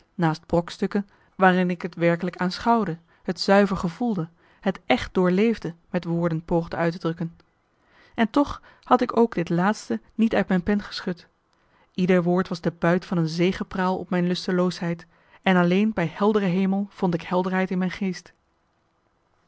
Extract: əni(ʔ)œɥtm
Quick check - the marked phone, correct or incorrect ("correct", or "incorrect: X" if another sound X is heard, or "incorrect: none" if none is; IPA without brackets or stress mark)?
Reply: incorrect: t